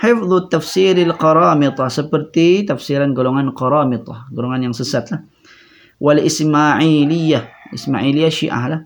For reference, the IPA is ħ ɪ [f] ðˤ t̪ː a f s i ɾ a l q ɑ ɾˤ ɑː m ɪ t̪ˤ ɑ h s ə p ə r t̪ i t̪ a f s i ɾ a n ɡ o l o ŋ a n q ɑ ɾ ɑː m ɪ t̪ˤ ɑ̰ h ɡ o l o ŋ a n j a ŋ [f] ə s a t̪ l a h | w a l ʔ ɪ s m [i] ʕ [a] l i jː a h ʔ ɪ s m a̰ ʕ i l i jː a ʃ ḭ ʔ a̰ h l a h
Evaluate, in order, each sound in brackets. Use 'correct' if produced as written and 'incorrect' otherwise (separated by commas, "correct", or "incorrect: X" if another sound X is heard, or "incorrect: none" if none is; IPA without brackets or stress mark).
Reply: correct, incorrect: s, incorrect: a, incorrect: i